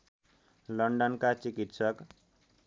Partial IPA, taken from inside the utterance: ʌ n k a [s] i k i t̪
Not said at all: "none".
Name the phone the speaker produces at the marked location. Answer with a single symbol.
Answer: t͡s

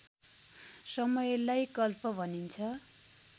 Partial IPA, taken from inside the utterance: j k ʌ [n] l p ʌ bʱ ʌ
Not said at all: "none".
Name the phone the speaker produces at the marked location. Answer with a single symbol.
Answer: none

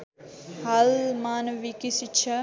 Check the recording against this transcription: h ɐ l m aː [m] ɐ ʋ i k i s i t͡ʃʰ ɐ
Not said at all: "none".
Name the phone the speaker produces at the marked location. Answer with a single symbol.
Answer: n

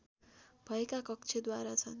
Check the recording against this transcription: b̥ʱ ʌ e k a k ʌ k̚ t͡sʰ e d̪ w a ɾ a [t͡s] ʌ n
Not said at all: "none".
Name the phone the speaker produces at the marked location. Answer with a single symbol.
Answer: t͡sʰ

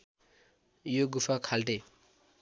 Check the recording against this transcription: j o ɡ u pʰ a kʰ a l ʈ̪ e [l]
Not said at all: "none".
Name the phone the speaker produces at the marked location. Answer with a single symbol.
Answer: none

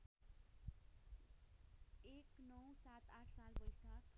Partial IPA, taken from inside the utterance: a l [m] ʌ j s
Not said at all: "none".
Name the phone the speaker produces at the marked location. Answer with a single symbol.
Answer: b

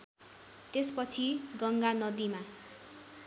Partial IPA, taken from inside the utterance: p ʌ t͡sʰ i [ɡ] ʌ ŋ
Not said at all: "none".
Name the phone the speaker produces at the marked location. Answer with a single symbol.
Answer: ɡ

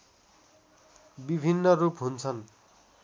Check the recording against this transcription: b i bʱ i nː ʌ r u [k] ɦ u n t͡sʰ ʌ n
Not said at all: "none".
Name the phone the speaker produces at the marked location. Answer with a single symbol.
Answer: p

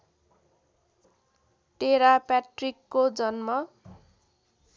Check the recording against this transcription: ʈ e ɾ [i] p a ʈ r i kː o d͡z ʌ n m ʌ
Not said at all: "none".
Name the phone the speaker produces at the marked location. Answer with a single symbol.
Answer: a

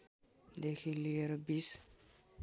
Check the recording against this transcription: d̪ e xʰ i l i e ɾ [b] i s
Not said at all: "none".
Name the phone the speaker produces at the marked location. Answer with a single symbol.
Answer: b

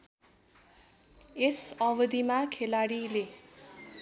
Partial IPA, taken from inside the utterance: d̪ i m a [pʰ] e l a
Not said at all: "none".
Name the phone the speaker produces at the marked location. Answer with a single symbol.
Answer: kʰ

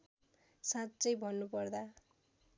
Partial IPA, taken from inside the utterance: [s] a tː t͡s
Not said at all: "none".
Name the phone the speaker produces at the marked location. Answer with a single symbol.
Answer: s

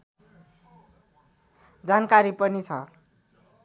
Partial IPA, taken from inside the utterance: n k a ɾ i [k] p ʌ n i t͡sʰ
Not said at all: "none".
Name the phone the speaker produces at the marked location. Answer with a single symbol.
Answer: none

